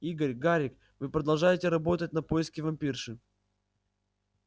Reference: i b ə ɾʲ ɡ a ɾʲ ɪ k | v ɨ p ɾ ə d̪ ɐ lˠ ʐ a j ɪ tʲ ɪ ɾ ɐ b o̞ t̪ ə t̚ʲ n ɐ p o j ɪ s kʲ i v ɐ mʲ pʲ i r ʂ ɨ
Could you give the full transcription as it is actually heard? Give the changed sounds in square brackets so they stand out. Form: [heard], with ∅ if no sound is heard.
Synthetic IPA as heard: i [ɡ] ə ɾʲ ɡ a ɾʲ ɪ k | v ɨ p ɾ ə d̪ ɐ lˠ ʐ a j ɪ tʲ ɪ ɾ ɐ b o̞ t̪ ə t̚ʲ n ɐ p o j ɪ s kʲ [ɪ] v ɐ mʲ pʲ i r ʂ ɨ